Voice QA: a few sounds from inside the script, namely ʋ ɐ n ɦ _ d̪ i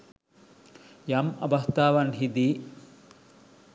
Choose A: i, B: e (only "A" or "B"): A